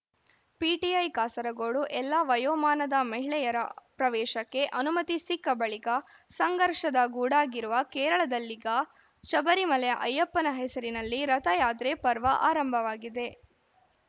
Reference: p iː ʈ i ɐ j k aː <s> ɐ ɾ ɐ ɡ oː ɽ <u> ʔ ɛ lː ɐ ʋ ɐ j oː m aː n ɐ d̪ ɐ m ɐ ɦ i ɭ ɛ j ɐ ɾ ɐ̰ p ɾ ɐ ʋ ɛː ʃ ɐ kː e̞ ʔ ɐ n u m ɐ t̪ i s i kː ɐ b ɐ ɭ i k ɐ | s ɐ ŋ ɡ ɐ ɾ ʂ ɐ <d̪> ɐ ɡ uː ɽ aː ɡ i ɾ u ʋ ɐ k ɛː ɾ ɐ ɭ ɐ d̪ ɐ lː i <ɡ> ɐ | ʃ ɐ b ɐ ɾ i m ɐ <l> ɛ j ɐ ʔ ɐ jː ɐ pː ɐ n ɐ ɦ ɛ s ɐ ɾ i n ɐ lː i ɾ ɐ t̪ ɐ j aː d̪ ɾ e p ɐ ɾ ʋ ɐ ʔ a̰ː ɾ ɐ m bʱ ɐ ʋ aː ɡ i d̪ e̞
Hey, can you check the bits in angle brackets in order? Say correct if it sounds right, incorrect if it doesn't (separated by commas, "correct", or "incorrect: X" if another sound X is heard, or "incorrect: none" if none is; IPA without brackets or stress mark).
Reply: correct, correct, correct, correct, correct